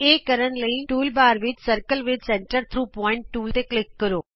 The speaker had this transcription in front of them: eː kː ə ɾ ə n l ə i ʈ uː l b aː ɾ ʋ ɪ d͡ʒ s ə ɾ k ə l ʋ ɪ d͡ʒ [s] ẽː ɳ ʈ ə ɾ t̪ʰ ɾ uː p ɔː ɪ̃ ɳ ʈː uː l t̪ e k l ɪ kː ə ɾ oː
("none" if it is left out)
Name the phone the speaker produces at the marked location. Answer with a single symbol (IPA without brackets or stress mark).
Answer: s